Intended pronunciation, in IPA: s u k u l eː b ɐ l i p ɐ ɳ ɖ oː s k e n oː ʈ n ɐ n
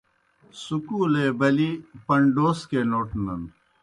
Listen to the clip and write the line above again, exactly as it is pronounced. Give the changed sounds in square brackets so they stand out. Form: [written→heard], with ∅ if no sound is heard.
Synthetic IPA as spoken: s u k u l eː b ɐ l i p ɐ ɳ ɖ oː s k e n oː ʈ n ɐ n